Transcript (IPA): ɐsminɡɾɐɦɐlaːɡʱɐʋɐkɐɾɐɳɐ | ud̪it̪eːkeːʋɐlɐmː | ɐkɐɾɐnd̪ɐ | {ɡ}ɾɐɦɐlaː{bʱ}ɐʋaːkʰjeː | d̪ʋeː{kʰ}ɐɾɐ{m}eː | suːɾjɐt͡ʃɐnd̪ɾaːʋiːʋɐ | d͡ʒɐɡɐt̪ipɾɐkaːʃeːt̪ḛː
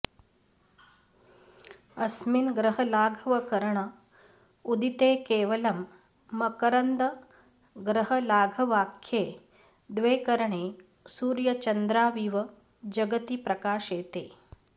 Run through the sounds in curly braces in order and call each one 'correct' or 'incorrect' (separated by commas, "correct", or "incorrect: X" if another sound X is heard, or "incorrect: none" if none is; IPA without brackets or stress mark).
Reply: correct, incorrect: ɡʱ, incorrect: k, incorrect: ɳ